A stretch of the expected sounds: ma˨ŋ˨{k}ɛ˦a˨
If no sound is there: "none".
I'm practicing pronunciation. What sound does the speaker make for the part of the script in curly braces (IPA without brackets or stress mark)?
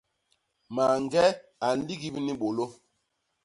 ɡ